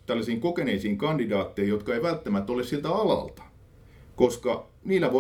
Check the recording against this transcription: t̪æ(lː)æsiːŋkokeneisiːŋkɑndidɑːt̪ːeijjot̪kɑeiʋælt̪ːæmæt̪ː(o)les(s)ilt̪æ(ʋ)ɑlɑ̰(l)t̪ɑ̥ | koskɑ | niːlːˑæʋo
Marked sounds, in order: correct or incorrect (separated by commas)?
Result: correct, correct, correct, incorrect, correct